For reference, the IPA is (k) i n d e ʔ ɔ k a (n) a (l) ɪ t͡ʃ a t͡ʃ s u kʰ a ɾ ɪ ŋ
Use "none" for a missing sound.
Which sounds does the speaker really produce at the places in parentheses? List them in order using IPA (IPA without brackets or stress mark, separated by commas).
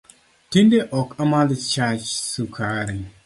t, m, l